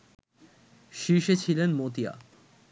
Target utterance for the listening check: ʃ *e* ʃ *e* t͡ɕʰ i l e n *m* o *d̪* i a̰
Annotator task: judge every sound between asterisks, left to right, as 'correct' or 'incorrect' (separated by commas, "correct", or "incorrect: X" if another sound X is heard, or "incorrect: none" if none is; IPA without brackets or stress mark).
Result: incorrect: i, correct, correct, incorrect: t̪